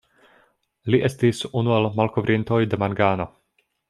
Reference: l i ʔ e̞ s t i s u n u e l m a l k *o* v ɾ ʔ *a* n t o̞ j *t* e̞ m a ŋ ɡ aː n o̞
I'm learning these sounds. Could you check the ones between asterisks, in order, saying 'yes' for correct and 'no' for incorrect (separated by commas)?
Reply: yes, no, no